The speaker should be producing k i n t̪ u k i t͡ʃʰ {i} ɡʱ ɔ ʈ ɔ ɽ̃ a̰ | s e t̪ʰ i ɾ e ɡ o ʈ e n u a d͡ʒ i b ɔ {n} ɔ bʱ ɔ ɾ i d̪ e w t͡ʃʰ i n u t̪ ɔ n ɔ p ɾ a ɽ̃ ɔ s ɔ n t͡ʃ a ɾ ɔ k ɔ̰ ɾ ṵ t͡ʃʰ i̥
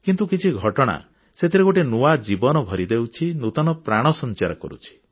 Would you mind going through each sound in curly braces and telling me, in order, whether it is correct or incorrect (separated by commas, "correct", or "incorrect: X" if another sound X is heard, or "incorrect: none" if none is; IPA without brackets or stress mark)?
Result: correct, correct